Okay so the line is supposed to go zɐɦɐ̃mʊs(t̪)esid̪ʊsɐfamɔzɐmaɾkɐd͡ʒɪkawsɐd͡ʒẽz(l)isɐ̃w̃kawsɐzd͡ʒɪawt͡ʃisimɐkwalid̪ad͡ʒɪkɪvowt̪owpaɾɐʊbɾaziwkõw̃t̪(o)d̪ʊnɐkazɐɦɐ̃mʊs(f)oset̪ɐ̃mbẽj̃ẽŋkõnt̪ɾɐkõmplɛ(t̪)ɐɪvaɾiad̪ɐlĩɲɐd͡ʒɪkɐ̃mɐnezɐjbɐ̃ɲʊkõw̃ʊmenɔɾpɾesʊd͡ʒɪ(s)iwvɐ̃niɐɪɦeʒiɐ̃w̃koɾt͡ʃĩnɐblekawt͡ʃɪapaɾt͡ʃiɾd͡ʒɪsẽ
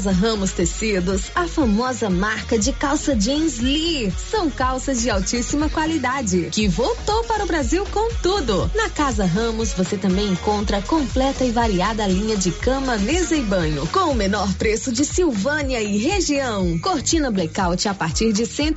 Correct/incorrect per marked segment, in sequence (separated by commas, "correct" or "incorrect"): correct, correct, incorrect, incorrect, correct, correct